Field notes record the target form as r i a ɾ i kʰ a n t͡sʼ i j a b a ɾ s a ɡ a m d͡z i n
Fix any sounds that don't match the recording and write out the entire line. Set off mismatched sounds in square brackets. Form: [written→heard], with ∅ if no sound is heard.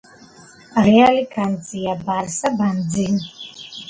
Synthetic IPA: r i a [ɾ→l] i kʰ a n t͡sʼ i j a b a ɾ s a [ɡ→b] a [m→n] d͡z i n